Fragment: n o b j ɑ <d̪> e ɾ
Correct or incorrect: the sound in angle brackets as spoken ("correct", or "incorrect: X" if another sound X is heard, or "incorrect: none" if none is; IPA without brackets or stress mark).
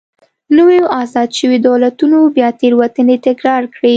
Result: incorrect: t̪